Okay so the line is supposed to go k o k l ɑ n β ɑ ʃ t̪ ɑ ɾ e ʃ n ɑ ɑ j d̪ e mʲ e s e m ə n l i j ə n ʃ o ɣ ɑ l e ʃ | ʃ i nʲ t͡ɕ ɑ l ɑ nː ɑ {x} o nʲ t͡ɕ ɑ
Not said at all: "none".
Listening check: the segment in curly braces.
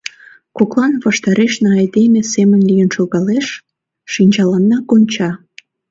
k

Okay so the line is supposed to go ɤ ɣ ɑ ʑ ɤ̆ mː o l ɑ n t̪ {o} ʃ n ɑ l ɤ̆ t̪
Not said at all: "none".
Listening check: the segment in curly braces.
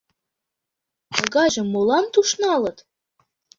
u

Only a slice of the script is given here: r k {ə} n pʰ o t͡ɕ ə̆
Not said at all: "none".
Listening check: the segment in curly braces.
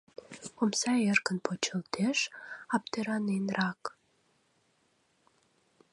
ə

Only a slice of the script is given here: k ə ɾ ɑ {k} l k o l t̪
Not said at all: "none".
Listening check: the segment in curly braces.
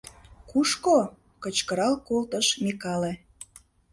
none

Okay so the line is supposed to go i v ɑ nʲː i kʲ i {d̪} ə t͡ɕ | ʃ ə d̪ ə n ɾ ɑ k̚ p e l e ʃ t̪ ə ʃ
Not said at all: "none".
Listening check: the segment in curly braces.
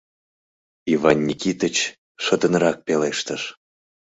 t̪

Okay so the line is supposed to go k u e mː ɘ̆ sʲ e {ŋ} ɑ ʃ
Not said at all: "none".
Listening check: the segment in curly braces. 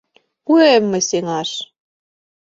ŋ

